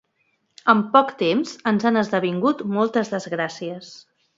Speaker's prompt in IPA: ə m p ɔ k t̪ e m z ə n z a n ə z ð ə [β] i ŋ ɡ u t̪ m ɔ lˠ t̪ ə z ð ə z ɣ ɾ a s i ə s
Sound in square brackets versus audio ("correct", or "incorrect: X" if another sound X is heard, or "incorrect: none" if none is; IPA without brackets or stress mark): correct